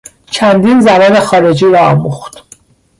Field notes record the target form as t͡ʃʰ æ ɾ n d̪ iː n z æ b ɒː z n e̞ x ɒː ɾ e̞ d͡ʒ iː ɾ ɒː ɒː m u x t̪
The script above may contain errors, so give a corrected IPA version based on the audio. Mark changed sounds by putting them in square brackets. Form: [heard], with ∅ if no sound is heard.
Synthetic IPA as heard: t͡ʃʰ æ [∅] n d̪ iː n z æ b ɒː [∅] n e̞ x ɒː ɾ e̞ d͡ʒ iː ɾ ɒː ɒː m u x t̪